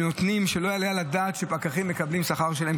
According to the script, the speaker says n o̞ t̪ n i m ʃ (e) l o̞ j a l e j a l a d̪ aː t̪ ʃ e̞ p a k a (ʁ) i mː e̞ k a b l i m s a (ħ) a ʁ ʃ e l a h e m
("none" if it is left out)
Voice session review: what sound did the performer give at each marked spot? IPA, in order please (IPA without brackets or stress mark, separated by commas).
e, χ, χ